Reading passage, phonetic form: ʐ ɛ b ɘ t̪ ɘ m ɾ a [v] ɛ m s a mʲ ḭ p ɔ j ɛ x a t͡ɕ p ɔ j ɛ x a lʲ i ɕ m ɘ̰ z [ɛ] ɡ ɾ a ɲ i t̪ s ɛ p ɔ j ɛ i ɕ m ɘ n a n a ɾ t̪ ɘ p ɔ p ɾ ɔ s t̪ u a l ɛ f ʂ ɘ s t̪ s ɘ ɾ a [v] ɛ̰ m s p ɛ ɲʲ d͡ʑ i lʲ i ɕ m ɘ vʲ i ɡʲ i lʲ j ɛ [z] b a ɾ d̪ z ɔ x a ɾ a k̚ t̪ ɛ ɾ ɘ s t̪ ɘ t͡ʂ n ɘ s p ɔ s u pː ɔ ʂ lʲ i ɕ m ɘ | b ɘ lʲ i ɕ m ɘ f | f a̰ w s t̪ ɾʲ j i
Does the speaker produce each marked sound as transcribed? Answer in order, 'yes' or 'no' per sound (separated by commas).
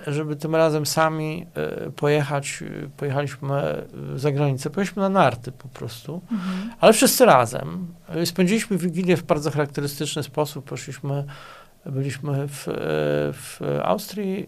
no, no, no, no